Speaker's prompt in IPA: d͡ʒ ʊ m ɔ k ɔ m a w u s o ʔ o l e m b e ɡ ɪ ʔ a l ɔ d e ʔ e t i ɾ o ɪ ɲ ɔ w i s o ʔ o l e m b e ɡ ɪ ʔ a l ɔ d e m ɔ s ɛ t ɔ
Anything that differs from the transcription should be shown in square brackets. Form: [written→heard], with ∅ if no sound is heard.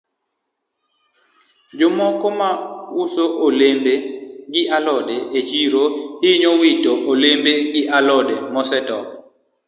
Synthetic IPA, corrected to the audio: d͡ʒ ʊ m ɔ k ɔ m a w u s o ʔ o l e m b e ɡ ɪ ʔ a l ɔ d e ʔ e [t→t͡ʃ] i ɾ o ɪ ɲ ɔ w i [s→t] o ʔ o l e m b e ɡ ɪ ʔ a l ɔ d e m ɔ s ɛ t ɔ